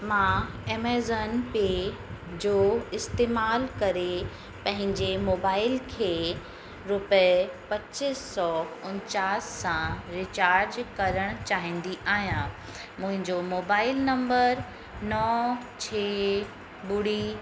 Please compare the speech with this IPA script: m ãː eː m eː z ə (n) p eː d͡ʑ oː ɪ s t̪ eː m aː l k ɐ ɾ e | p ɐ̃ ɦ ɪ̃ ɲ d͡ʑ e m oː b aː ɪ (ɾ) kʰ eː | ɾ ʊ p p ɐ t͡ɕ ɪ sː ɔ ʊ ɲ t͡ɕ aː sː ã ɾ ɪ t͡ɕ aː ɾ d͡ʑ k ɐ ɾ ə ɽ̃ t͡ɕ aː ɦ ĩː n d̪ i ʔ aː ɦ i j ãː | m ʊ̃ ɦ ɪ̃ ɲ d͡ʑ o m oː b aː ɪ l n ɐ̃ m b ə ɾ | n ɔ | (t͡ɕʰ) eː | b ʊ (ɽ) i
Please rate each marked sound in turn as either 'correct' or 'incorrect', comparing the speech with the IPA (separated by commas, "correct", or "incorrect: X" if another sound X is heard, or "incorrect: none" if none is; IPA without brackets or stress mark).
correct, incorrect: l, correct, correct